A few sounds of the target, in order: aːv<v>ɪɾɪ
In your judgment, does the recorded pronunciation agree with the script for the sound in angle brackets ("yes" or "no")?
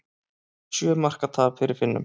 no